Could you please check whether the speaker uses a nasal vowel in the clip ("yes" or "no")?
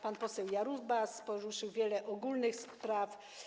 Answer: no